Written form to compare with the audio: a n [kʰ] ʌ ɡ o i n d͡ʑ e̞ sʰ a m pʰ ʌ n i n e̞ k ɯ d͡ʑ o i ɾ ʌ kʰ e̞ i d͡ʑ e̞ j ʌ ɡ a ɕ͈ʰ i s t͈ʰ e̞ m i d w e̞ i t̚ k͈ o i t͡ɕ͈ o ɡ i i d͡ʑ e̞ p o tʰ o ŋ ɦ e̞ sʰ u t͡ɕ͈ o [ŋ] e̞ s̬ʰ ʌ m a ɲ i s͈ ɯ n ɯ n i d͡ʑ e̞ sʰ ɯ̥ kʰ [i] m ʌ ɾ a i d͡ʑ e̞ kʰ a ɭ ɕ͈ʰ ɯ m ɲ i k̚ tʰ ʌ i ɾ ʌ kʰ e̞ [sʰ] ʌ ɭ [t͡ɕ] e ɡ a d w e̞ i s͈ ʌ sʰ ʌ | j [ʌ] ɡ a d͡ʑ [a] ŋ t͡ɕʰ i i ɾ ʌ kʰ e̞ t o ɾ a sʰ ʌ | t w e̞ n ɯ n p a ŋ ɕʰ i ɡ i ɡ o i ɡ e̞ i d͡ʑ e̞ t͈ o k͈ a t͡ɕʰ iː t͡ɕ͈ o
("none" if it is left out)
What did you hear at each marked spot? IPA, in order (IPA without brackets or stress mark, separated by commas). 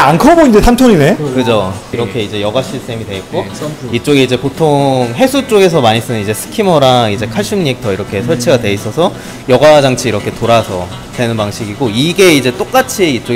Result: kʰ, ɡ, i, sʰ, t͡ɕʰ, ʌ, a